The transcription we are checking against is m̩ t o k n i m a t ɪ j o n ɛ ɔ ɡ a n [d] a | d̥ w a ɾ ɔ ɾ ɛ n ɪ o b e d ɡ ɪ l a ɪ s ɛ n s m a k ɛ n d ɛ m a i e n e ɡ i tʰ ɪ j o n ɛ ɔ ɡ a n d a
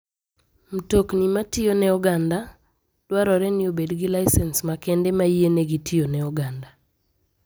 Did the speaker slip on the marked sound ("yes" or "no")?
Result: no